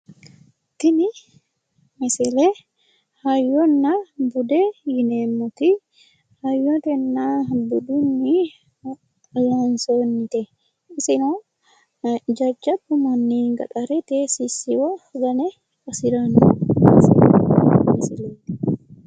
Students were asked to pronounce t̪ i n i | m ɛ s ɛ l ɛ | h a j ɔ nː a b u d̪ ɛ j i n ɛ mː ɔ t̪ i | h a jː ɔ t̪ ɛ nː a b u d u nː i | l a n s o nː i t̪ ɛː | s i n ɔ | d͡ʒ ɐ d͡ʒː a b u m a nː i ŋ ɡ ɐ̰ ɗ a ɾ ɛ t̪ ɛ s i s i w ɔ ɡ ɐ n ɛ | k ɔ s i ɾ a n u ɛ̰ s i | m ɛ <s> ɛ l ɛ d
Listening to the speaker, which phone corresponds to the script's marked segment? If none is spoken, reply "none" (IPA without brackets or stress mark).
s